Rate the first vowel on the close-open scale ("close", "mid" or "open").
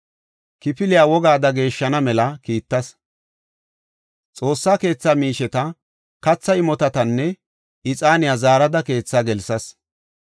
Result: close